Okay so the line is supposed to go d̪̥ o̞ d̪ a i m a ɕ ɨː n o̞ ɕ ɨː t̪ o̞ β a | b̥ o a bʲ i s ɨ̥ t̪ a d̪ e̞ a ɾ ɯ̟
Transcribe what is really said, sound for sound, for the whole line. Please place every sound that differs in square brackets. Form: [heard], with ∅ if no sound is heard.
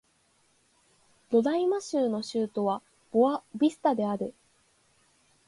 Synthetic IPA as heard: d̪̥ o̞ d̪ a i m a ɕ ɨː n o̞ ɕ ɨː t̪ o̞ β a | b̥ o a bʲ i s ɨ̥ t̪ a d̪ e̞ a ɾ ɯ̟

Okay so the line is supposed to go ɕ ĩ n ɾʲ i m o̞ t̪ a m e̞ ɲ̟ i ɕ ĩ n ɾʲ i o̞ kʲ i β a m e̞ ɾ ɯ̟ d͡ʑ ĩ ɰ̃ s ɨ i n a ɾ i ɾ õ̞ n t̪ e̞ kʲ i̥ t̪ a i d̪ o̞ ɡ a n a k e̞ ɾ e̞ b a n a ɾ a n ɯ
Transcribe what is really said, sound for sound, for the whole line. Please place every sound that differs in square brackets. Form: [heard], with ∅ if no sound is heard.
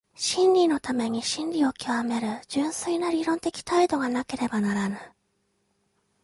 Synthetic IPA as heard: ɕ ĩ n ɾʲ i [n] o̞ t̪ a m e̞ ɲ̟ i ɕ ĩ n ɾʲ i o̞ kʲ i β a m e̞ ɾ ɯ̟ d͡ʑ [ɨ̃] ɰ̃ s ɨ i n a ɾ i ɾ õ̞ n t̪ e̞ kʲ i̥ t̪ a i d̪ o̞ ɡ a n a k e̞ ɾ e̞ b a n a ɾ a n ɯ

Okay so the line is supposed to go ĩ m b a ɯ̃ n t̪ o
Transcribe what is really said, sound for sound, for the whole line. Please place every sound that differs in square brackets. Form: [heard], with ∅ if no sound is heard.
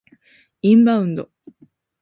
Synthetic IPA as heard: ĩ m b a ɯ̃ n [d̪] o

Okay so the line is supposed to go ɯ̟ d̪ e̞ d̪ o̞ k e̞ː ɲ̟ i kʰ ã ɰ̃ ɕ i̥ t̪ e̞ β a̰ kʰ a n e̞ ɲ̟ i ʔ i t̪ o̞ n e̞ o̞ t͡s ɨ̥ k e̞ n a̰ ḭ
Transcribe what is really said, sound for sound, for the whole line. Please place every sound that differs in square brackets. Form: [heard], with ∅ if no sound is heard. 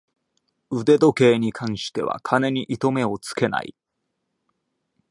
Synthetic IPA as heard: ɯ̟ d̪ e̞ d̪ o̞ k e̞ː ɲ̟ i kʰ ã ɰ̃ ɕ i̥ t̪ e̞ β a̰ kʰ a n e̞ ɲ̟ i ʔ i t̪ o̞ [m] e̞ o̞ t͡s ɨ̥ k e̞ n a̰ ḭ

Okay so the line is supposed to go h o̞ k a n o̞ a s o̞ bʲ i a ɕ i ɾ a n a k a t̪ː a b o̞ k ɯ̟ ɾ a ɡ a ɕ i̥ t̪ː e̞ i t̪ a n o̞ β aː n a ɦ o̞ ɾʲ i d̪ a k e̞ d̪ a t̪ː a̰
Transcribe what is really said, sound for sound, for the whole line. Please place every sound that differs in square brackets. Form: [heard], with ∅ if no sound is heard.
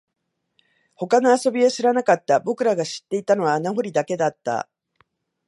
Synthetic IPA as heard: h o̞ k a n o̞ a s o̞ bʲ i a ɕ i ɾ a n a k a t̪ː a b o̞ k ɯ̟ ɾ a ɡ a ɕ i̥ t̪ː e̞ i t̪ a n o̞ β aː n a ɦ o̞ ɾʲ i d̪ a k e̞ d̪ a t̪ː a̰

